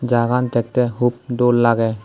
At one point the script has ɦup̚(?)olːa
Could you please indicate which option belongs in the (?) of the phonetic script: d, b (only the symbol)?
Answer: d